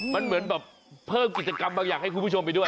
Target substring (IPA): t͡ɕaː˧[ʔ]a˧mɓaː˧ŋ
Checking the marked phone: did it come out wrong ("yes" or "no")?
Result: yes